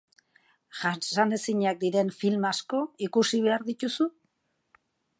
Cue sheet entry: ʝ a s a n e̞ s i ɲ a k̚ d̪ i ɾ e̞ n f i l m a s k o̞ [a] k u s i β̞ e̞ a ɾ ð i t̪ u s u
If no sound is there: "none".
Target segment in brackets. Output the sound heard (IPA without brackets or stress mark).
i